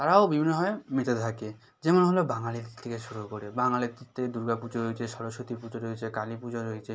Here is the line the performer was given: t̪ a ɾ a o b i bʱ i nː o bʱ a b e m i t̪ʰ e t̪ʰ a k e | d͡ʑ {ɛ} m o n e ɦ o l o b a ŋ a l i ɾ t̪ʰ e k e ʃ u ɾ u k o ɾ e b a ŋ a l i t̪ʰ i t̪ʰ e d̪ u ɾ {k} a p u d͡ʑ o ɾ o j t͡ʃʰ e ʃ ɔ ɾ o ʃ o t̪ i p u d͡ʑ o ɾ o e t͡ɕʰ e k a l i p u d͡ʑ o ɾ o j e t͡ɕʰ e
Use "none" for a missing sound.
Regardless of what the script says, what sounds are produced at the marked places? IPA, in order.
e, ɡ

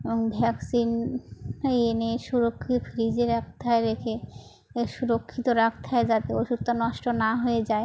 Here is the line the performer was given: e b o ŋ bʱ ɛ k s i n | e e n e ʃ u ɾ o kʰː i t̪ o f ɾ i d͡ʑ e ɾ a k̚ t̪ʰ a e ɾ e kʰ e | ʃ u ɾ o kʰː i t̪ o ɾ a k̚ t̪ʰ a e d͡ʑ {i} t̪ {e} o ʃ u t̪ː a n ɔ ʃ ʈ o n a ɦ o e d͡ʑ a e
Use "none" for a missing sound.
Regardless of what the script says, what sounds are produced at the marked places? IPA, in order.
a, e

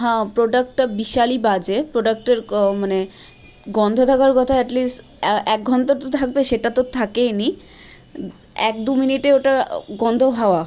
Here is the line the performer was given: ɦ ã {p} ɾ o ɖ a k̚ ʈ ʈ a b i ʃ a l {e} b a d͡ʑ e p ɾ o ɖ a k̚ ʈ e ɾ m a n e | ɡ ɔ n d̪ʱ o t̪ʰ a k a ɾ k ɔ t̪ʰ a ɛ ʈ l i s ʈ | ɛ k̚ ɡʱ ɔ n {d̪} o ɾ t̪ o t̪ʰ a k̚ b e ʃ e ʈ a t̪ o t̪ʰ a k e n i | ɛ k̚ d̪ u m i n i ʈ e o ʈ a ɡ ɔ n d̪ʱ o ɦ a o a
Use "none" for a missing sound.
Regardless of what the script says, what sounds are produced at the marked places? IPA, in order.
p, i, t̪

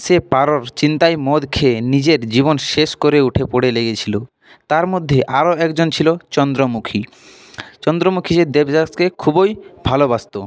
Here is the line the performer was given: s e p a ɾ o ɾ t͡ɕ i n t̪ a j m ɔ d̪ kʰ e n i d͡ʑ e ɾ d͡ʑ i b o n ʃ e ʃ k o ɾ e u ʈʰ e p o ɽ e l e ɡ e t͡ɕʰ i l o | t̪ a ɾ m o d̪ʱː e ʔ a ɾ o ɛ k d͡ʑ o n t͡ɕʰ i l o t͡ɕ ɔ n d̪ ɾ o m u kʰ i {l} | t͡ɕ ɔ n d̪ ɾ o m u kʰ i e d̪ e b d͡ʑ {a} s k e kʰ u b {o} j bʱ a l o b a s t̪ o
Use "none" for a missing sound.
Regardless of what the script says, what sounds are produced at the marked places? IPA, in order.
none, a, o

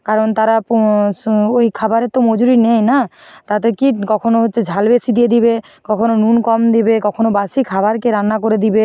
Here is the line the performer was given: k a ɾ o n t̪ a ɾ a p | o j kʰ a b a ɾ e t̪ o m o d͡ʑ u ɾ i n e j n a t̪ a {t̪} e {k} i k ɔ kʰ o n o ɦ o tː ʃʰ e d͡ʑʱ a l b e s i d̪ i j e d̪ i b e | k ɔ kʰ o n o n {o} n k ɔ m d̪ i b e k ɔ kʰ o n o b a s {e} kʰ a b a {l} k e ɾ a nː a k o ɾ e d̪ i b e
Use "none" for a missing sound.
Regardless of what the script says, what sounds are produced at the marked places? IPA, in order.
t̪, k, u, i, ɾ

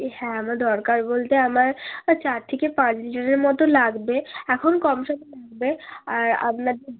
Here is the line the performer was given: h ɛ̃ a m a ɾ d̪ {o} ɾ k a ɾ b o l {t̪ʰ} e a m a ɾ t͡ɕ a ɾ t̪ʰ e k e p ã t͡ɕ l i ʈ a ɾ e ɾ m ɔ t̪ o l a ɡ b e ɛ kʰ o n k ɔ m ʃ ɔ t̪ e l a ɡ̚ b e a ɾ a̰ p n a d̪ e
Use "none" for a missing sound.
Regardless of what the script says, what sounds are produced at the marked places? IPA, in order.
ɔ, t̪

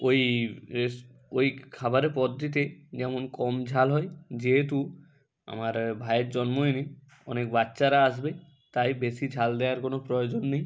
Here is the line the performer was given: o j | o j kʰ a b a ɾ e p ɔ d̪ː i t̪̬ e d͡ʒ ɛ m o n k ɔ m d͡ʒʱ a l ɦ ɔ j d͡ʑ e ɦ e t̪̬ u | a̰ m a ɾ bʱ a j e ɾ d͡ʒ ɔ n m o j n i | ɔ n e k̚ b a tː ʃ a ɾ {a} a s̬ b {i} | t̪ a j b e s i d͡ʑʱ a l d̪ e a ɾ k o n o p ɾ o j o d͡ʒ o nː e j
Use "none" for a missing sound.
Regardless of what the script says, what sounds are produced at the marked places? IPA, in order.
a, e

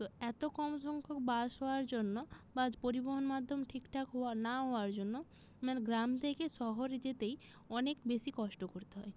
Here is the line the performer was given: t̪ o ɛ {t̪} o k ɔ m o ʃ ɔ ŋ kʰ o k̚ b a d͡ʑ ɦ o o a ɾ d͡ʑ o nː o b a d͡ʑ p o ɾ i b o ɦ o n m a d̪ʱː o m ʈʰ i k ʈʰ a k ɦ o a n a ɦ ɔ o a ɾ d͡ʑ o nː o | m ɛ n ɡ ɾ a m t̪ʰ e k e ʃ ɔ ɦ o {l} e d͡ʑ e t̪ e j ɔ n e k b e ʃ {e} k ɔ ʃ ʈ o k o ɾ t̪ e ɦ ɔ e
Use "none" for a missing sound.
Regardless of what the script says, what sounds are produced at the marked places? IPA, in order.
t̪, ɾ, i

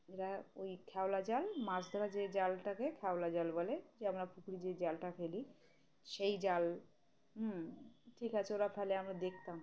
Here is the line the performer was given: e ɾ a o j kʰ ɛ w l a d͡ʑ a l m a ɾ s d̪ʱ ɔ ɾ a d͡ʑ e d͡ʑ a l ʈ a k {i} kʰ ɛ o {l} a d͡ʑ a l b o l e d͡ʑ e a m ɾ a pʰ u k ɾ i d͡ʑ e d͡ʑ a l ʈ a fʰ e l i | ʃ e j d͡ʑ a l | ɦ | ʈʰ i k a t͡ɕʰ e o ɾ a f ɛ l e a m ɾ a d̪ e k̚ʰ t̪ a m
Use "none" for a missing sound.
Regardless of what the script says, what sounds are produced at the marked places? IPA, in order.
e, l

